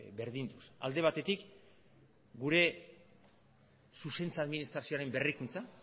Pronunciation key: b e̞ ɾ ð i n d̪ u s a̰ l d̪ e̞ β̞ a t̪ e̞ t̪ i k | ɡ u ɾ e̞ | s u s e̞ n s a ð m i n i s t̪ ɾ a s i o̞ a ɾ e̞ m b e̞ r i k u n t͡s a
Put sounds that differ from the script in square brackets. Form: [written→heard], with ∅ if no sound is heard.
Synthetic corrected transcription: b e̞ ɾ ð i n d̪ u s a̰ l d̪ e̞ β̞ a t̪ e̞ t̪ i k | ɡ u ɾ e̞ | s u s e̞ n [s→t͡s] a ð m i n i s t̪ ɾ a s i o̞ a ɾ e̞ m b e̞ r i k u n t͡s a